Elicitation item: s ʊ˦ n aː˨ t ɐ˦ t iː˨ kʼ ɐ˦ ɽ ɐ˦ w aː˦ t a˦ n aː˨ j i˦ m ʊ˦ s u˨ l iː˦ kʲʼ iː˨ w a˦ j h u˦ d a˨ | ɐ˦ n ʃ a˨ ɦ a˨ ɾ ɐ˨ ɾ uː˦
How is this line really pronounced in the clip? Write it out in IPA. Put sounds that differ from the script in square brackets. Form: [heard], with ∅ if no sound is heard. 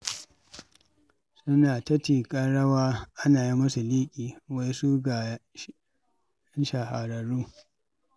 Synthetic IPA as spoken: s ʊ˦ n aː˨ t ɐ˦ t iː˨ kʼ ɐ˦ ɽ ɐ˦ w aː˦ [ʔ] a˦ n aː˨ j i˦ m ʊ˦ s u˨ l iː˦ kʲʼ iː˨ w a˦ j [s] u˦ [ɡ] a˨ | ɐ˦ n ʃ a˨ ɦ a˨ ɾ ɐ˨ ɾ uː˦